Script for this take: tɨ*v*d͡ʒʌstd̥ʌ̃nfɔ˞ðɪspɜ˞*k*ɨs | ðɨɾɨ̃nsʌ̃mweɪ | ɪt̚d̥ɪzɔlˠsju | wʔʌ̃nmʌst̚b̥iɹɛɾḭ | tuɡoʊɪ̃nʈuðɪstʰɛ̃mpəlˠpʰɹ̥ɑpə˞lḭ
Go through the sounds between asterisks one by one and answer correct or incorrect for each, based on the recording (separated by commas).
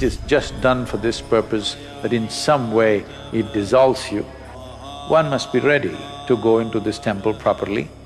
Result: incorrect, incorrect